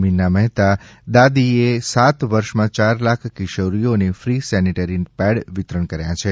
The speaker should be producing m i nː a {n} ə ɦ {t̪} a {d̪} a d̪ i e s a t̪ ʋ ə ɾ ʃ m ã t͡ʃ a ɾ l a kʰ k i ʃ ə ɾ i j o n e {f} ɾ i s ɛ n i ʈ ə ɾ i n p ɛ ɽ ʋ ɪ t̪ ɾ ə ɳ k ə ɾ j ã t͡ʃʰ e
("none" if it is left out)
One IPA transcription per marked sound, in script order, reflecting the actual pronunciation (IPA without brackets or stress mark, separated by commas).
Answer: m, t̪, d̪, f